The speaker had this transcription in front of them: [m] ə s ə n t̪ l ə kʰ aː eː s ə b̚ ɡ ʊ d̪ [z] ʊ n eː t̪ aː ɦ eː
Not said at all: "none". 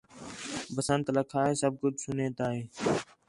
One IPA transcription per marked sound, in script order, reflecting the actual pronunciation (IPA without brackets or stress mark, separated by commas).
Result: b, s